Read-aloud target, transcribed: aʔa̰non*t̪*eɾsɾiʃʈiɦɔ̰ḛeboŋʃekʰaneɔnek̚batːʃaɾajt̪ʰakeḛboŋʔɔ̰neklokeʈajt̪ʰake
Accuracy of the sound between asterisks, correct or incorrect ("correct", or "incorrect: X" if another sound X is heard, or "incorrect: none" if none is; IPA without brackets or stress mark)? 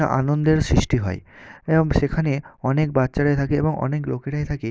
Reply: incorrect: d̪